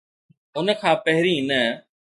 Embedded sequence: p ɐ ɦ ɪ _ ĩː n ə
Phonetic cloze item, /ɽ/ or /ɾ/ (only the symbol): ɾ